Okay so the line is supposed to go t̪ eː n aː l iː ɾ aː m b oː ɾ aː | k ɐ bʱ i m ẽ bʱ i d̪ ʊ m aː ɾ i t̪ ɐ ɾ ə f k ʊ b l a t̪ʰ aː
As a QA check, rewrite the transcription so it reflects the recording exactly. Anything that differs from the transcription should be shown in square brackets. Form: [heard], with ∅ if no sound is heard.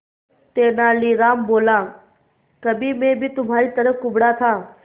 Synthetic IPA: t̪ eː n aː l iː ɾ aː m b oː [l] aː | k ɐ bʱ i m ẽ bʱ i [t̪] ʊ m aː ɾ i t̪ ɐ ɾ ə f k ʊ b [ɽ] a t̪ʰ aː